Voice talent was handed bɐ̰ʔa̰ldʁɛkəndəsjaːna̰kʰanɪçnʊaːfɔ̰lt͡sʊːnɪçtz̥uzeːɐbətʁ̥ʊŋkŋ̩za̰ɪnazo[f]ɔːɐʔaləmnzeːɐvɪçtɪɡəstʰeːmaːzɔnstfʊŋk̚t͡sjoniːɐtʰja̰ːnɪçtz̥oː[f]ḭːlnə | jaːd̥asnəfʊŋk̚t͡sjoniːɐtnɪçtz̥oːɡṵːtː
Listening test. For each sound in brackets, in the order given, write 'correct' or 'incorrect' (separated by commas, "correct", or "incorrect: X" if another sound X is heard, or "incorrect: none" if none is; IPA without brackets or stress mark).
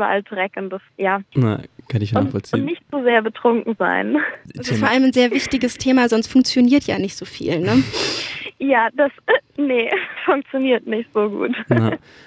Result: correct, correct